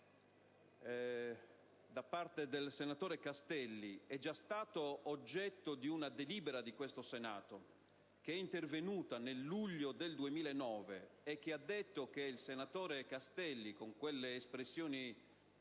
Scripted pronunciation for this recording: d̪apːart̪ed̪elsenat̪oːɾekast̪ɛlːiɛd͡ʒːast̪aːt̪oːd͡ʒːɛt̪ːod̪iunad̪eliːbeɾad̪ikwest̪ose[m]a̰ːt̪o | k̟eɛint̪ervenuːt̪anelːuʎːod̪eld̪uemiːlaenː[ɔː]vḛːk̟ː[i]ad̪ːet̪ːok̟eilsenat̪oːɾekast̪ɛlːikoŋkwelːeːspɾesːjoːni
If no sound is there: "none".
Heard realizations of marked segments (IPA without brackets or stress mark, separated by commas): n, ɔː, e